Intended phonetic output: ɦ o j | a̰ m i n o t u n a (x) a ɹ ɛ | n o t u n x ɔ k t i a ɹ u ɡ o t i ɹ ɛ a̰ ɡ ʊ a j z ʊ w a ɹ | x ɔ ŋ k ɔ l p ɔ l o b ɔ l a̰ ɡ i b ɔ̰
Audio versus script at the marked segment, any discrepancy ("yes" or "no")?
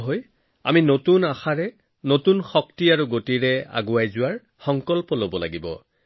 no